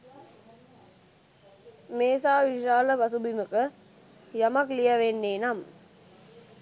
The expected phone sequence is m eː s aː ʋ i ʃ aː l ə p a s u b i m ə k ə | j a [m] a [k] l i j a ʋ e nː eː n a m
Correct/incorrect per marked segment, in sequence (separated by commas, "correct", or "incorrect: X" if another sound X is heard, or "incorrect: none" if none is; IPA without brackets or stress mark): correct, correct